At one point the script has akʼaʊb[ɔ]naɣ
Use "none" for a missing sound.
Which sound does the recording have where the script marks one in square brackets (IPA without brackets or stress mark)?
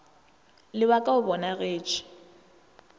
ɔ